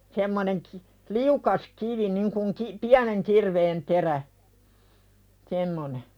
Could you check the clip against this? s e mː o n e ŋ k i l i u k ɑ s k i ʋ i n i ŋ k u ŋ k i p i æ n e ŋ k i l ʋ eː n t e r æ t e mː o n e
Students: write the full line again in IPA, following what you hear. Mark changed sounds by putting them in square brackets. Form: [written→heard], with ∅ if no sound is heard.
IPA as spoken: s e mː o n e ŋ k i l i u k ɑ s k i ʋ i n i ŋ k u ŋ k i p i æ n e ŋ k i [l→r] ʋ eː n t e r æ [t→s] e mː o n e